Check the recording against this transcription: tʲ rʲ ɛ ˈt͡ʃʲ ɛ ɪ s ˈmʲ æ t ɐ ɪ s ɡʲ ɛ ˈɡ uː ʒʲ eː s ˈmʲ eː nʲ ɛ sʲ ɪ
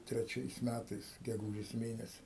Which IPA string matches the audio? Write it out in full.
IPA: tʲ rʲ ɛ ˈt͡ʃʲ ɛ ɪ s ˈmʲ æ t ɐ ɪ s ɡʲ ɛ ˈɡ uː ʒʲ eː s ˈmʲ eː nʲ ɛ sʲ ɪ